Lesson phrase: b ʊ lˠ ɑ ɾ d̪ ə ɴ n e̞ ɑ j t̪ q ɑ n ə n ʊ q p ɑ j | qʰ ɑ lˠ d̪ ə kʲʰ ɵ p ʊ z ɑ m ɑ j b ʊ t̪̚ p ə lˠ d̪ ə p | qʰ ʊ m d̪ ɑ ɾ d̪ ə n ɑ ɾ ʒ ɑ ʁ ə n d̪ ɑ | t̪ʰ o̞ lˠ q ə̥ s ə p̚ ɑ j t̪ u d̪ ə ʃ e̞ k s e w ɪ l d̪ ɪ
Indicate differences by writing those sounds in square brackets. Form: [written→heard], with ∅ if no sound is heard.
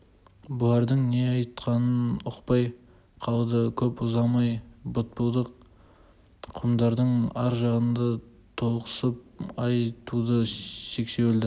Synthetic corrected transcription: b ʊ lˠ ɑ ɾ d̪ ə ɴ n e̞ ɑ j t̪ q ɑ n ə n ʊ q p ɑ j | qʰ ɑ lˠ d̪ ə kʲʰ ɵ p ʊ z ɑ m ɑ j b ʊ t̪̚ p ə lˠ d̪ ə [p→q] | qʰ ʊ m d̪ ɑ ɾ d̪ ə [n→ɴ] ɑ ɾ ʒ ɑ ʁ ə n d̪ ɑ | t̪ʰ o̞ lˠ q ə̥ s ə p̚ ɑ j t̪ u d̪ ə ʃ e̞ k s e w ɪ l d̪ ɪ